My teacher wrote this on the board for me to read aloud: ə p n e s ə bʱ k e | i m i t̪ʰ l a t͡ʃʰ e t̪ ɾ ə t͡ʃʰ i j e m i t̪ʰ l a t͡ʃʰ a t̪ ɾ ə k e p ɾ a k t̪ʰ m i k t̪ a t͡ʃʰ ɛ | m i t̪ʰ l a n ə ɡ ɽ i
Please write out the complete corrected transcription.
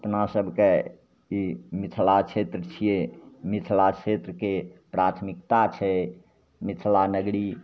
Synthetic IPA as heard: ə p n a s ə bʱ k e | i m i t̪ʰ l a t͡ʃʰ e t̪ ɾ ə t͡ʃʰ i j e m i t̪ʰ l a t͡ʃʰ e t̪ ɾ ə k e p ɾ a t̪ʰ m i k t̪ a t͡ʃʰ ɛ | m i t̪ʰ l a n ə ɡ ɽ i